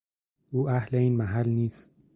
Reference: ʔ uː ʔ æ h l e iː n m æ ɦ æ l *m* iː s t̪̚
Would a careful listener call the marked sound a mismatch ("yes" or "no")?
yes